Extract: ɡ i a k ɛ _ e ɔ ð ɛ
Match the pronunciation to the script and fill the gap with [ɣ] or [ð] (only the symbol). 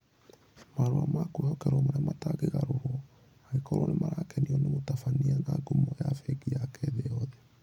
ð